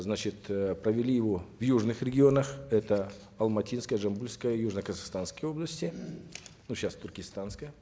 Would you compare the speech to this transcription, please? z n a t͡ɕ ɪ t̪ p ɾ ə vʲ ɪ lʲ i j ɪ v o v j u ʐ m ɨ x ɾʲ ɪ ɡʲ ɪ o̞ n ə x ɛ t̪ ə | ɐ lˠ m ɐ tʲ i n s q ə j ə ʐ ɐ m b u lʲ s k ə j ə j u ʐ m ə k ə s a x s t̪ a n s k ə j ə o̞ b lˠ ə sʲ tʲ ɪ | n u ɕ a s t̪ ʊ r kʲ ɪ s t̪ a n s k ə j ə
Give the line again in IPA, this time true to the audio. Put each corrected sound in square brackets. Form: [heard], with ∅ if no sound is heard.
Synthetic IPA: z n a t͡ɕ ɪ t̪ p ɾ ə vʲ ɪ lʲ i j ɪ v o v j u ʐ [n] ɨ x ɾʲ ɪ ɡʲ ɪ o̞ n ə x ɛ t̪ ə | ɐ lˠ m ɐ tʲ i n s [k] ə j ə ʐ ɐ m b u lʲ s k ə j ə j u ʐ [n] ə k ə [z] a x s t̪ a n s k ə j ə o̞ b lˠ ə sʲ tʲ ɪ | n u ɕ a s t̪ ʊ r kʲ ɪ s t̪ a n s k ə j ə